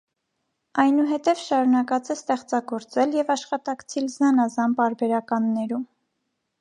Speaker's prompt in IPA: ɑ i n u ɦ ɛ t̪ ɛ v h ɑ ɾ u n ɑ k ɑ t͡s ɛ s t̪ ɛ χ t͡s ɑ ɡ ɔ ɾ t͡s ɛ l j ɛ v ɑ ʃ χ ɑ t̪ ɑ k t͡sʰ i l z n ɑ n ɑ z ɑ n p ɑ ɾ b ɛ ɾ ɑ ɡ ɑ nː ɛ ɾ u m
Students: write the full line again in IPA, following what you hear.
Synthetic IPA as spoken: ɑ j n u ɦ ɛ t̪ ɛ v ʃ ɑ ɾ u n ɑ k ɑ t͡s ɛ s t̪ ɛ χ t͡s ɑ ɡ ɔ ɾ t͡s ɛ l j ɛ v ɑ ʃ χ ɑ t̪ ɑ k t͡sʰ i l z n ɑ n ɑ z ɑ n p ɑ ɾ b ɛ ɾ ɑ k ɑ nː ɛ ɾ u m